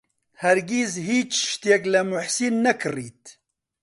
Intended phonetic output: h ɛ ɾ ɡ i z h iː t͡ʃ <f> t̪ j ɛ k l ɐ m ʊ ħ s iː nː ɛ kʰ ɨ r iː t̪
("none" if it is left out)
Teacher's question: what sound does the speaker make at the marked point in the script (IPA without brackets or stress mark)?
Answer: ʃ